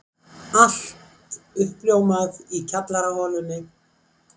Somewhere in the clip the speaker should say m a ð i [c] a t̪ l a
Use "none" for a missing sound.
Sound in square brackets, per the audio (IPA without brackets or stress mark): cʰ